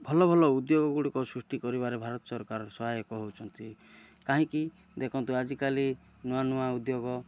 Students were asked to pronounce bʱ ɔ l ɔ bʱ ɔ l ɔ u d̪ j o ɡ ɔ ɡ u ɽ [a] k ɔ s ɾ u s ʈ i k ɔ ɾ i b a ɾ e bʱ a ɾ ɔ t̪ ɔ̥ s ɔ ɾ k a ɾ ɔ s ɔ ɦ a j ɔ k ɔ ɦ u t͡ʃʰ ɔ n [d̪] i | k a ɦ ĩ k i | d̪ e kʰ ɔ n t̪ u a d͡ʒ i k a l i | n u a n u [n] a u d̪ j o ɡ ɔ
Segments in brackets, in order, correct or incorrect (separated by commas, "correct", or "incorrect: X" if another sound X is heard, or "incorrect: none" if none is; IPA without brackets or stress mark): incorrect: i, incorrect: t̪, incorrect: none